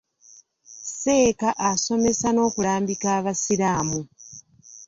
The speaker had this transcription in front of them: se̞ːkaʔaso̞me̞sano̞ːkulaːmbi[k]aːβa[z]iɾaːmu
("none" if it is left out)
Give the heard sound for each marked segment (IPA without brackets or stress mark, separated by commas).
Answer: k, s